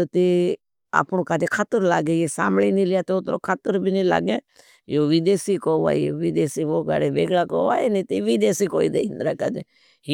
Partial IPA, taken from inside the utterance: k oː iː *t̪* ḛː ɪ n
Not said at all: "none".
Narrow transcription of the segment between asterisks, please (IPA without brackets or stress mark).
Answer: d̪